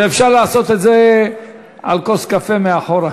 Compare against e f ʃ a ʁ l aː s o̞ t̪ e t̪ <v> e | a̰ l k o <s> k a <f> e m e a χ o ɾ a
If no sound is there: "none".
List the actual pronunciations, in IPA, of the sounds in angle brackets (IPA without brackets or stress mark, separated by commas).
z, s, f